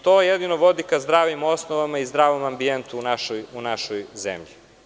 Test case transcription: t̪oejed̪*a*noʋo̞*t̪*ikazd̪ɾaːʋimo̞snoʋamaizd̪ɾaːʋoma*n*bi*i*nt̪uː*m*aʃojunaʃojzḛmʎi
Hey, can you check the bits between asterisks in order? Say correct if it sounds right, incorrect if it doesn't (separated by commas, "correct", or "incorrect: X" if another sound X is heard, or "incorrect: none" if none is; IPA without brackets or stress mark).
incorrect: i, incorrect: d̪, incorrect: m, incorrect: e, incorrect: n